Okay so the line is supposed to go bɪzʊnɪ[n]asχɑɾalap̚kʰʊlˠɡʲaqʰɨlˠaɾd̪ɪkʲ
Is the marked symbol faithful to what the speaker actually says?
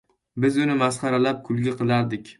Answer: no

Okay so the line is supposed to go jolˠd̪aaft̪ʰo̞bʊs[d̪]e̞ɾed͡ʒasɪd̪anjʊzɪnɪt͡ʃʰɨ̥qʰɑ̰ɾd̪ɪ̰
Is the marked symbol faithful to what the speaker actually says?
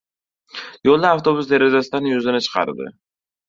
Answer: yes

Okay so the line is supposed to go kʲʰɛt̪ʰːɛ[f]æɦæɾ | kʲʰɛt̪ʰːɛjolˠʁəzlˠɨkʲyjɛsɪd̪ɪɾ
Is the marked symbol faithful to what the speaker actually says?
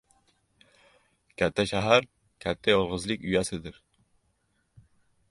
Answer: no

